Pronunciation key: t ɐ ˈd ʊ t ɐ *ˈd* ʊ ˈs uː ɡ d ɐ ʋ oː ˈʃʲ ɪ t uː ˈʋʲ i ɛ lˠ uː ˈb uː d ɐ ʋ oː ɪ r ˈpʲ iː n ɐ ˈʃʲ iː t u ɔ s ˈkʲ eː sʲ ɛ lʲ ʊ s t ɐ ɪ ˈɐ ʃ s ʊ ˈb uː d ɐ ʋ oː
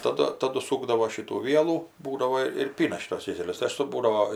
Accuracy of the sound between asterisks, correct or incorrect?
correct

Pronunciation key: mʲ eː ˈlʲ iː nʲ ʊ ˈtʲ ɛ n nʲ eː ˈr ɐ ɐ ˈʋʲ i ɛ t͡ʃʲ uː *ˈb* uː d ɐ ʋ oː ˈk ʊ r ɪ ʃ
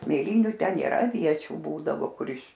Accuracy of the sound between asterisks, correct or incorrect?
correct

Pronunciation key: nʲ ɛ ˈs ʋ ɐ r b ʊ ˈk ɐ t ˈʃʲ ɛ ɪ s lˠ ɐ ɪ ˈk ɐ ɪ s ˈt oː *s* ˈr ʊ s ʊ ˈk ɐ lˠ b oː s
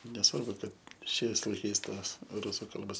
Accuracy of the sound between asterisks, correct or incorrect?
correct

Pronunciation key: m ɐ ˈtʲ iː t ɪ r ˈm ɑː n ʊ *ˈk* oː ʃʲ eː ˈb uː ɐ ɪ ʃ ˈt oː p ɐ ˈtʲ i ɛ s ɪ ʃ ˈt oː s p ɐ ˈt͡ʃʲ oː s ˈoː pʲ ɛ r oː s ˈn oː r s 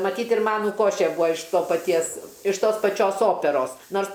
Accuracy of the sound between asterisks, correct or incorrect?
correct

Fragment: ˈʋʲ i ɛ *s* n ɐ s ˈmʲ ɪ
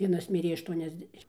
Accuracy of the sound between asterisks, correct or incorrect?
incorrect: none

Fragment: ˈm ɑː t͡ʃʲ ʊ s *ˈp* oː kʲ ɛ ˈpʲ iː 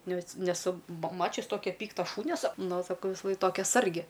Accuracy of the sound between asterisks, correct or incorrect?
incorrect: t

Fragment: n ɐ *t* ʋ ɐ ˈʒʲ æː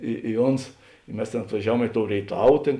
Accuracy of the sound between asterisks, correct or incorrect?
correct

